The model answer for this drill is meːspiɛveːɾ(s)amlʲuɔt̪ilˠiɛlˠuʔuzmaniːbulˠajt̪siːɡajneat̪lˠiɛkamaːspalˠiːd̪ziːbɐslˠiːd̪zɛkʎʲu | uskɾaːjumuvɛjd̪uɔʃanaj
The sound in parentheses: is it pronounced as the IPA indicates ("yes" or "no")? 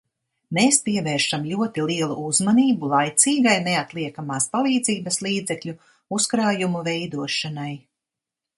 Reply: no